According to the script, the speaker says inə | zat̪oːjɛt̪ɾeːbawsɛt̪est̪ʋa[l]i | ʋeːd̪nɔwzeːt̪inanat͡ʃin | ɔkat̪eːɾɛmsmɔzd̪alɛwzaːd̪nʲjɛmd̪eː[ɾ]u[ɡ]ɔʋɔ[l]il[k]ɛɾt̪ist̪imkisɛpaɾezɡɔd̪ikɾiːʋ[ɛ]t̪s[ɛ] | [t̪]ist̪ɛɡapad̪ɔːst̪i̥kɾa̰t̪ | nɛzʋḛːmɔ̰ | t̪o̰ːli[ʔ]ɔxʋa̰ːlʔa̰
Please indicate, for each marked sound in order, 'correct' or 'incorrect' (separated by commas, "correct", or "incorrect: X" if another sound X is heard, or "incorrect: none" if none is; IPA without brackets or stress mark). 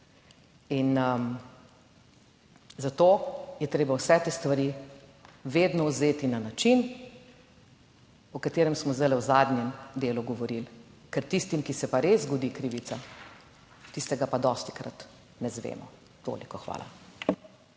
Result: incorrect: ɾ, incorrect: l, correct, incorrect: ɾ, correct, incorrect: i, incorrect: a, correct, incorrect: k